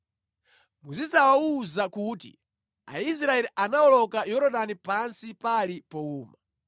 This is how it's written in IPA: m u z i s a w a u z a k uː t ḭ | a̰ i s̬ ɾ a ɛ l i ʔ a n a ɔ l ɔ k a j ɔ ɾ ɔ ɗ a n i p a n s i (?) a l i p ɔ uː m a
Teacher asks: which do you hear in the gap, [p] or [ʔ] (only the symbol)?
p